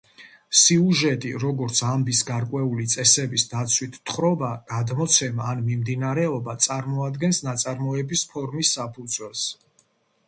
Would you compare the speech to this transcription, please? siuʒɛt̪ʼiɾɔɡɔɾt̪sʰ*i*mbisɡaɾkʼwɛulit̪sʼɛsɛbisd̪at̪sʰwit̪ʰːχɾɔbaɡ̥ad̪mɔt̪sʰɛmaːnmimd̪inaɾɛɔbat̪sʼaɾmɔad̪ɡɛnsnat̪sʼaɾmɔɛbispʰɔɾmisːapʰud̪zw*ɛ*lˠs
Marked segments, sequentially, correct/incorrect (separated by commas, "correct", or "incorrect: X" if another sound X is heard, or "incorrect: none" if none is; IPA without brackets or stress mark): incorrect: a, correct